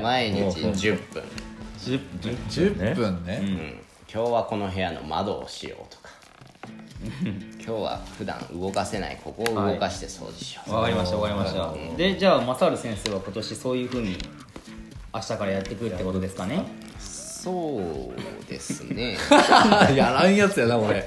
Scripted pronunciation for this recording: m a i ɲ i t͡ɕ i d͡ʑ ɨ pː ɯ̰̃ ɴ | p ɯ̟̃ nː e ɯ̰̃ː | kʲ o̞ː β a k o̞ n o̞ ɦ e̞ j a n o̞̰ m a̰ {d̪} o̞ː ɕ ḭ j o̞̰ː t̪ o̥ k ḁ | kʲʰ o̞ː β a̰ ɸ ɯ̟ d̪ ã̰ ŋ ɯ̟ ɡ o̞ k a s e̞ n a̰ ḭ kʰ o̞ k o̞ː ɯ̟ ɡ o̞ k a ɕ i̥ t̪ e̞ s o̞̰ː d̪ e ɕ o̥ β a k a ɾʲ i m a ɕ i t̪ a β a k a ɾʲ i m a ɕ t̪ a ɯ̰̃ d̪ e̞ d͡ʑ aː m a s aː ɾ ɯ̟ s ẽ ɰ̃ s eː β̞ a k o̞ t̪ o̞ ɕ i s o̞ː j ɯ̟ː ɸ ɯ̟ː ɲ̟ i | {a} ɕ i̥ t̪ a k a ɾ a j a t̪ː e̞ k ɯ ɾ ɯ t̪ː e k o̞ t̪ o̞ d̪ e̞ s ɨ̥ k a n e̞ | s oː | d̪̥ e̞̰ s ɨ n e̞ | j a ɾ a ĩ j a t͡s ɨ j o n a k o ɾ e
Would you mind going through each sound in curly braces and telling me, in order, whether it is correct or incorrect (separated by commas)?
correct, correct